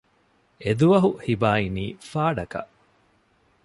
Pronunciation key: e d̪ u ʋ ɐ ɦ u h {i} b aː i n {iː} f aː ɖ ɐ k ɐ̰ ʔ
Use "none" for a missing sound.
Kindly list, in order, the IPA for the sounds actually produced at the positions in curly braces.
i, iː

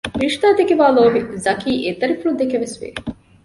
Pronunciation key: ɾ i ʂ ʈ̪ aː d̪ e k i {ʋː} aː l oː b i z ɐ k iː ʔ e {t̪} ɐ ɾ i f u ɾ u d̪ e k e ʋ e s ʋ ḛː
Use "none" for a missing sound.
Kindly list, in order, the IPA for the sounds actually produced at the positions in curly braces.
ʋ, t̪

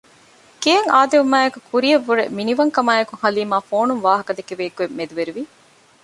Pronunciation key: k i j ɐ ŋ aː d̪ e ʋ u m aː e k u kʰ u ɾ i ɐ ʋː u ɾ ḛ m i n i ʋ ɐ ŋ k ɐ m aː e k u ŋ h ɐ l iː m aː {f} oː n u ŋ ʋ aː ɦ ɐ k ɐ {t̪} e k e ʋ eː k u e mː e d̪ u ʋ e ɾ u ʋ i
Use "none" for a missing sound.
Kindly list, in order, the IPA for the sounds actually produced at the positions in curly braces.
f, d̪

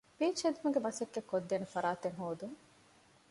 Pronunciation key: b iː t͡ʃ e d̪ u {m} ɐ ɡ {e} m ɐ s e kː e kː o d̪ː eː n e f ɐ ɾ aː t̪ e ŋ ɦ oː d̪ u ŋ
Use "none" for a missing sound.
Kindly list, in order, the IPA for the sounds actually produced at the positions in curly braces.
m, e

